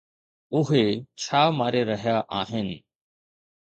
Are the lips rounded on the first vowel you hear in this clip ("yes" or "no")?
yes